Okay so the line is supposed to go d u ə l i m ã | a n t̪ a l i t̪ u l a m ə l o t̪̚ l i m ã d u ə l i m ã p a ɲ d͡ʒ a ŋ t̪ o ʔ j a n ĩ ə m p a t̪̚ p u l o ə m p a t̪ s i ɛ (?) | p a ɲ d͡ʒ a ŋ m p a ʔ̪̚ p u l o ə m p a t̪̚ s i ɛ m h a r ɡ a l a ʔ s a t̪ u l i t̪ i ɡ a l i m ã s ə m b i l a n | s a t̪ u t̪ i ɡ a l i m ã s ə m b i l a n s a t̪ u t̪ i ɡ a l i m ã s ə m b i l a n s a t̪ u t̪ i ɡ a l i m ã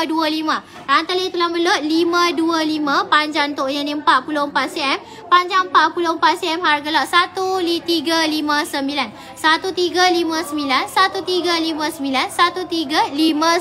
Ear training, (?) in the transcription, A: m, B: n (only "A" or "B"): A